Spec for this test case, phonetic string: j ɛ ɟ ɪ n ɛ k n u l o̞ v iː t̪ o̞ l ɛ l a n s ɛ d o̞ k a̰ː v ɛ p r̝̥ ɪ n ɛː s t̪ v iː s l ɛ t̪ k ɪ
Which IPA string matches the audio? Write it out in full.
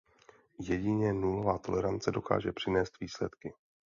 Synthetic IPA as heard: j ɛ ɟ ɪ ɲ ɛ n u l o̞ v aː t̪ o̞ l ɛ ɾ a n t͡s ɛ d o̞ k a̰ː ʒ ɛ p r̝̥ ɪ n ɛː s t̪ v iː s l ɛ t̪ k ɪ